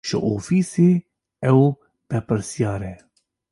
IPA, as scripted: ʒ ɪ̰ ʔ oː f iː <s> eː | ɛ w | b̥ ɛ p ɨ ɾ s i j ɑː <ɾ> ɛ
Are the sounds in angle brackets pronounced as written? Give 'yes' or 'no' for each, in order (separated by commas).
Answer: yes, yes